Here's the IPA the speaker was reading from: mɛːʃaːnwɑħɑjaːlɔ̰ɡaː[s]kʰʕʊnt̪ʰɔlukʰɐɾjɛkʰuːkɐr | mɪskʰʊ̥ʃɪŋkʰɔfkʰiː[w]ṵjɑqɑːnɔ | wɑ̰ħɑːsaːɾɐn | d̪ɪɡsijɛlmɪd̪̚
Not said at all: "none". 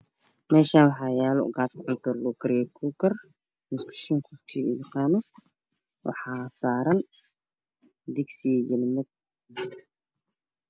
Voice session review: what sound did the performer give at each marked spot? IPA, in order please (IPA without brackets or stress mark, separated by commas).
s, none